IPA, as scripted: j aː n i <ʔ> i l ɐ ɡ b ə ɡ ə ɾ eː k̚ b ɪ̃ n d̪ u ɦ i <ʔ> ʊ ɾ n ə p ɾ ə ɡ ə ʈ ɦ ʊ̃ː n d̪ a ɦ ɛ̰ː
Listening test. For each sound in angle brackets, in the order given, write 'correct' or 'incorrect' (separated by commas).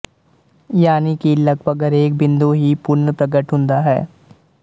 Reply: incorrect, incorrect